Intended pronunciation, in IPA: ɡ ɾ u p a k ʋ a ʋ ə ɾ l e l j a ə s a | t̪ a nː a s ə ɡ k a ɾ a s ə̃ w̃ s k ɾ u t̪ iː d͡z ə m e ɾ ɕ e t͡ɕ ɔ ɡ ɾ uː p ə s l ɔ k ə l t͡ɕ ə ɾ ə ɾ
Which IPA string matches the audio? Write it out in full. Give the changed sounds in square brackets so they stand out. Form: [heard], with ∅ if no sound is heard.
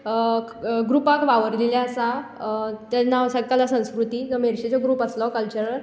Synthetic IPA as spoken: ɡ ɾ u p a k ʋ a ʋ ə ɾ l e l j a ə s a | t̪ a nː a s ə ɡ k a [l] a s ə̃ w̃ s k ɾ u t̪ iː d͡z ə m e ɾ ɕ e t͡ɕ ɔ ɡ ɾ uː p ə s l ɔ k ə l t͡ɕ ə ɾ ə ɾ